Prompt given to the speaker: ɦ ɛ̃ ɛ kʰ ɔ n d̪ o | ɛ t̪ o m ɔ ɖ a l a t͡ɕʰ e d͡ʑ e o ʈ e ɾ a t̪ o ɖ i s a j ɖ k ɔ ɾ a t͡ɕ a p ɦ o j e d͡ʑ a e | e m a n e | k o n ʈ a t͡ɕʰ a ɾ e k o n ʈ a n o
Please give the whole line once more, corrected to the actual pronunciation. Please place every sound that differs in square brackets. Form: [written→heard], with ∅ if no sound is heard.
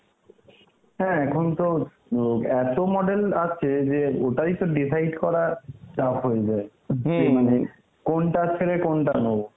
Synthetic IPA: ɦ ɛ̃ ɛ kʰ [ɔ→o] n [d̪→t̪] o | ɛ t̪ o m ɔ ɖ [a→e] l a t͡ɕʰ e d͡ʑ e o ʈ [e→a] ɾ [a→i] t̪ o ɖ i s a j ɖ k ɔ ɾ a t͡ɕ a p ɦ o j e d͡ʑ a e | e m a n e | k o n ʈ a t͡ɕʰ [a→e] ɾ e k o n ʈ a n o